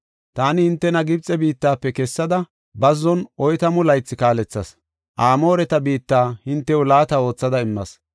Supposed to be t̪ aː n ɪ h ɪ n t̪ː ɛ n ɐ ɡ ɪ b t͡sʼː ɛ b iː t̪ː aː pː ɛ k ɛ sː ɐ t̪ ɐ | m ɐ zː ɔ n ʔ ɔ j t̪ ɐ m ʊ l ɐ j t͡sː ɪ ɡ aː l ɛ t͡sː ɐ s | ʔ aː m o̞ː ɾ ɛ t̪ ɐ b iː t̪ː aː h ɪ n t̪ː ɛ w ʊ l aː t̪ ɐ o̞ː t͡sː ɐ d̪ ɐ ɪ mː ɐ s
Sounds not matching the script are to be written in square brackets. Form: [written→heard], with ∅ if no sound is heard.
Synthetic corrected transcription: t̪ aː n ɪ h ɪ n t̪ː ɛ n ɐ ɡ ɪ b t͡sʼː ɛ b iː t̪ː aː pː ɛ k ɛ sː ɐ [t̪→d̪] ɐ | [m→b] ɐ zː ɔ n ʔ ɔ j t̪ ɐ m ʊ l ɐ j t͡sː ɪ [ɡ→k] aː l ɛ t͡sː ɐ s | ʔ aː m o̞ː ɾ ɛ t̪ ɐ b iː t̪ː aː h ɪ n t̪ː ɛ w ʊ l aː t̪ ɐ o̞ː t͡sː ɐ d̪ ɐ ɪ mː ɐ s